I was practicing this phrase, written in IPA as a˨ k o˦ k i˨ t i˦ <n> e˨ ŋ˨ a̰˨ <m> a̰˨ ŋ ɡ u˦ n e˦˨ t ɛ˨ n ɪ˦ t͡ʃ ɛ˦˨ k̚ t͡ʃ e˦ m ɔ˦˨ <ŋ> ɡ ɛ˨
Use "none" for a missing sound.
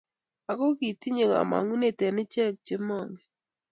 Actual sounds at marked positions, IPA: ɲ, m, ŋ

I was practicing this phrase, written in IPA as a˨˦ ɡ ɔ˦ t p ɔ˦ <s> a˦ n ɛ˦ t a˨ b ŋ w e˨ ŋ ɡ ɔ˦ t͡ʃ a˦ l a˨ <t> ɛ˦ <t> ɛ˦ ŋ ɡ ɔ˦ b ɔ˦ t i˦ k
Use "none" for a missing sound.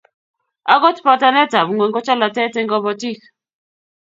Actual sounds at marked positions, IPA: t, t, t

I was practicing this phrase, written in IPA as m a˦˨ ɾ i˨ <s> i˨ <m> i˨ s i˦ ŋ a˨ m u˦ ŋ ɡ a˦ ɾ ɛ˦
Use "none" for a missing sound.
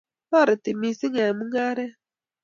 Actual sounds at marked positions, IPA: t, m

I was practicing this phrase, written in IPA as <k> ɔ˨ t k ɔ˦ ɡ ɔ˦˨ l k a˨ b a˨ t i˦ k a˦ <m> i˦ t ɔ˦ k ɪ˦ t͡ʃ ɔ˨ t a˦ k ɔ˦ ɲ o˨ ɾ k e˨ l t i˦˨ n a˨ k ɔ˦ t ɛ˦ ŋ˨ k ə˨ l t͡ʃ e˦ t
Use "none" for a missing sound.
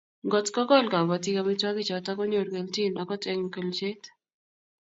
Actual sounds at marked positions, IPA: ɡ, m

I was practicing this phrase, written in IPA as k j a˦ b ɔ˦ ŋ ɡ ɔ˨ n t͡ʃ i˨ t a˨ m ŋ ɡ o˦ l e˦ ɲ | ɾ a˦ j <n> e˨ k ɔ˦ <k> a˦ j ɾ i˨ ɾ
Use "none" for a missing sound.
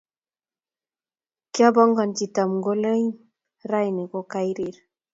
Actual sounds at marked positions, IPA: n, k

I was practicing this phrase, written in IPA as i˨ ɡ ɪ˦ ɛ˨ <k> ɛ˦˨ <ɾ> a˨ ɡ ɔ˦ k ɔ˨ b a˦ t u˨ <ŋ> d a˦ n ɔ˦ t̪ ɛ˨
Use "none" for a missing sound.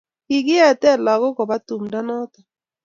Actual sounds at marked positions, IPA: t, l, m

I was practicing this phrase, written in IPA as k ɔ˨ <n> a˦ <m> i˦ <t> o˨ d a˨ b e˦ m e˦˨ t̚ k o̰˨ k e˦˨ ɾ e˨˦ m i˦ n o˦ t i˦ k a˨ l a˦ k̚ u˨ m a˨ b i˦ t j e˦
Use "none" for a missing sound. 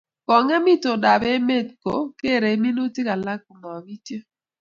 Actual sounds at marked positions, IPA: ŋ, m, t

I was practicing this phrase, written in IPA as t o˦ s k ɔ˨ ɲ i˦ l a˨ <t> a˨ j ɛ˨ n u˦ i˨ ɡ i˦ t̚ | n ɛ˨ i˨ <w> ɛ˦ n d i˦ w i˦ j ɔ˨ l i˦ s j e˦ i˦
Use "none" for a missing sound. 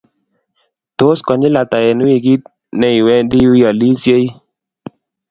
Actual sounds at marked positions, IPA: t, w

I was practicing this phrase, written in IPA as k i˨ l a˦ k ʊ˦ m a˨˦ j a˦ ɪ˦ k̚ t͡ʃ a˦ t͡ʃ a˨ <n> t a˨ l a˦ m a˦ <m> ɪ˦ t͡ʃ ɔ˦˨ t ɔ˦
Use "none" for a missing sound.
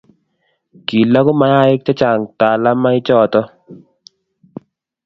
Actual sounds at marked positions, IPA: ŋ, none

